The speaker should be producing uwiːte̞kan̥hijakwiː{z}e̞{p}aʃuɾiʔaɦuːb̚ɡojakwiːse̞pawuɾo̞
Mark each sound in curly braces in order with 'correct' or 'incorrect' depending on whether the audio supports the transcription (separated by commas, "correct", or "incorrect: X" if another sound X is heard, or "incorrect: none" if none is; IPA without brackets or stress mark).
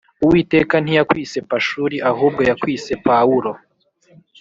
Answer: incorrect: s, correct